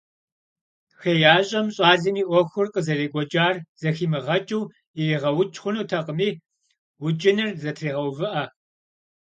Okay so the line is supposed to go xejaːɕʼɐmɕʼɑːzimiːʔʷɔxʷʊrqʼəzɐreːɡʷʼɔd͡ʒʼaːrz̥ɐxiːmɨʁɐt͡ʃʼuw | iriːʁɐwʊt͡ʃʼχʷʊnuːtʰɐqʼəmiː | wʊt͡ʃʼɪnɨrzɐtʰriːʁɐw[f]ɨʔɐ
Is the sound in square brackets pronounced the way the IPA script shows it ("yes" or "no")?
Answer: no